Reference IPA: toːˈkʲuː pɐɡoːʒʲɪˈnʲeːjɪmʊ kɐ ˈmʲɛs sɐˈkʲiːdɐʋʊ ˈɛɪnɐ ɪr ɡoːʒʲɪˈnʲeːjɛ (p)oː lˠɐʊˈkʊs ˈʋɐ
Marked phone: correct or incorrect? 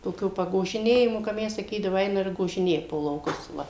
correct